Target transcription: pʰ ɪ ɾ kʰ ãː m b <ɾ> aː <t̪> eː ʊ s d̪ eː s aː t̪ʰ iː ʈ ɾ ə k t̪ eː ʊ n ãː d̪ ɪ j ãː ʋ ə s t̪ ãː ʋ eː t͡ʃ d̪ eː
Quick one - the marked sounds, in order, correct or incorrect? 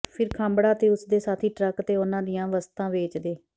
incorrect, correct

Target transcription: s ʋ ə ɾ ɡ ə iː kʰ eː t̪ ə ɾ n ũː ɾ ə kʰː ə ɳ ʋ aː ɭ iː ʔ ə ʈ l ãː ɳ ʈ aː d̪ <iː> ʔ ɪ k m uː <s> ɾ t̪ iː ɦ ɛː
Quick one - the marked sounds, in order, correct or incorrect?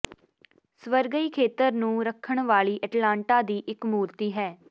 correct, incorrect

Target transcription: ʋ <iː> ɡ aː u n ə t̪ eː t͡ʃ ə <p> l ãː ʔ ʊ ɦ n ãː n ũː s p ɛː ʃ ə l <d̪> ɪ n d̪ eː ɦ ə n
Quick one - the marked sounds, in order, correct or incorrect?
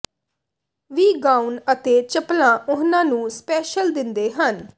correct, correct, correct

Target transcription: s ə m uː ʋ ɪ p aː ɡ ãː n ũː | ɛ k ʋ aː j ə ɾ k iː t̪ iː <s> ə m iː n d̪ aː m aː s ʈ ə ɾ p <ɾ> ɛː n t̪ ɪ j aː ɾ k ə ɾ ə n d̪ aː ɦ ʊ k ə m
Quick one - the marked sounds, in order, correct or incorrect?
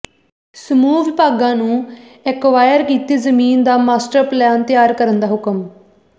incorrect, incorrect

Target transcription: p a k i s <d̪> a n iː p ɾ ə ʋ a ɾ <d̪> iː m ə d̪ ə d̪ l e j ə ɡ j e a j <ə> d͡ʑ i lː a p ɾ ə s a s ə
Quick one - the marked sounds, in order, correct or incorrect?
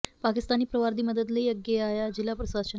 incorrect, correct, incorrect

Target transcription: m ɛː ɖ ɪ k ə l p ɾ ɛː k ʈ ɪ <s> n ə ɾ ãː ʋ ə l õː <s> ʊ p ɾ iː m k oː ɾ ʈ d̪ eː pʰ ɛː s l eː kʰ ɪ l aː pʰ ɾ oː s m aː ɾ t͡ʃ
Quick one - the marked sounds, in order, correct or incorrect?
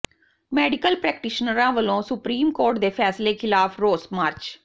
incorrect, correct

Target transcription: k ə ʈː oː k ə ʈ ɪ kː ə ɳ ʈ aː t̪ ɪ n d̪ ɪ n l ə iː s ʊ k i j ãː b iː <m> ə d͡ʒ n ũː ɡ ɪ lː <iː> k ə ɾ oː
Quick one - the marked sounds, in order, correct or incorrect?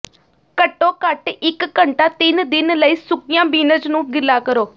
incorrect, incorrect

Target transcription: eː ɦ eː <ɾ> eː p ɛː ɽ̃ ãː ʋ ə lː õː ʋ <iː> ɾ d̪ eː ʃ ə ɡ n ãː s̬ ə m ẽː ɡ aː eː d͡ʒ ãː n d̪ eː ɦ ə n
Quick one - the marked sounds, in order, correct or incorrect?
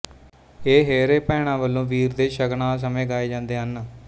correct, correct

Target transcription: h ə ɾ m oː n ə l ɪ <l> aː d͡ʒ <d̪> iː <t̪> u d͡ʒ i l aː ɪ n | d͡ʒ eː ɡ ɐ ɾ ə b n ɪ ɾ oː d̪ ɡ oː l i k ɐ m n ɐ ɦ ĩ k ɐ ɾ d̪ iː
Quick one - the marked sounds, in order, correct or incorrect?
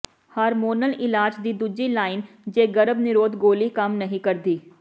correct, correct, incorrect

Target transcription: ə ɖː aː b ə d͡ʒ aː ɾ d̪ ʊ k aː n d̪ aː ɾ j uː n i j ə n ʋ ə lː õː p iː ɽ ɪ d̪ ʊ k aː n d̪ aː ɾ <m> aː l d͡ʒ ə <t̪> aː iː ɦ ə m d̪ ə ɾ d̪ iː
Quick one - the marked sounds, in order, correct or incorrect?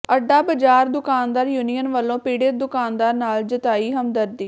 incorrect, correct

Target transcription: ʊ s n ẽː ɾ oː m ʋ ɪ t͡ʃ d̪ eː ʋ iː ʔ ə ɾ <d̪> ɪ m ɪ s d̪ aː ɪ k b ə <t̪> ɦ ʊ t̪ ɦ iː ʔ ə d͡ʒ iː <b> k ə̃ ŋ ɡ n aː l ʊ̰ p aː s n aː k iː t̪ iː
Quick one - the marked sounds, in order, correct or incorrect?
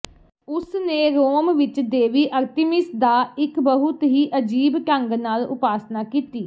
incorrect, incorrect, correct

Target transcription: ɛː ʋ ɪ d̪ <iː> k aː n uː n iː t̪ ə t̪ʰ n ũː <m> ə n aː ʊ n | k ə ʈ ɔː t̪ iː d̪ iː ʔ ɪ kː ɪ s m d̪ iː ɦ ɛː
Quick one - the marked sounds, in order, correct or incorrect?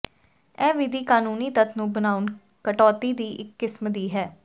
correct, incorrect

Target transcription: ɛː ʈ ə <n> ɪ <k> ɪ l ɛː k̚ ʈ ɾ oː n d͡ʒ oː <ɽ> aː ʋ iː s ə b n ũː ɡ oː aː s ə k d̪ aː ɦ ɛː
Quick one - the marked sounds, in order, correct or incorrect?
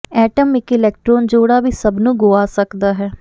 incorrect, correct, correct

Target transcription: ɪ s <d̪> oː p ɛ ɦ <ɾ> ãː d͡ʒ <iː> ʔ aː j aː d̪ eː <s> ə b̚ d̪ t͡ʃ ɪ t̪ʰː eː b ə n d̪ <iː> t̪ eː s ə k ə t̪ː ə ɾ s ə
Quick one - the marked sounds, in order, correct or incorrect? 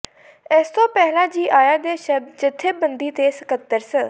incorrect, incorrect, correct, incorrect, correct

